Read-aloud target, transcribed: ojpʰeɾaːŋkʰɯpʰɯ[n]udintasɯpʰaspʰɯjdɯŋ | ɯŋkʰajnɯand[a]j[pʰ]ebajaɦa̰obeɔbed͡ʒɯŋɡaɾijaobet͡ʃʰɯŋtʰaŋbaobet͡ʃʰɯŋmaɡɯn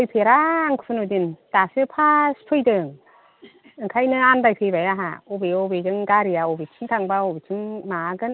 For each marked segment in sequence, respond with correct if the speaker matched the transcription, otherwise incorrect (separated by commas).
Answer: correct, correct, correct